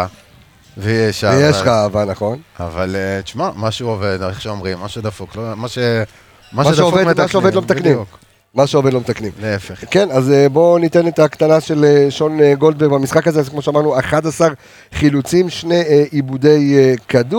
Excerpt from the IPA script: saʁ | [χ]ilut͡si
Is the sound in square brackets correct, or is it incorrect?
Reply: correct